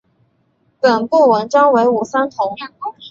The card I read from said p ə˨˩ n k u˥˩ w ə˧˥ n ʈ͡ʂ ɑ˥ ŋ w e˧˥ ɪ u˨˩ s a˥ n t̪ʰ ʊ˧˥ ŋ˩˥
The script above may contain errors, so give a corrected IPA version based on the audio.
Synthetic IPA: p ə˨˩ n p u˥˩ w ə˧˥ n ʈ͡ʂ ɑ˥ ŋ w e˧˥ ɪ u˨˩ s a˥ n t̪ʰ ʊ˧˥ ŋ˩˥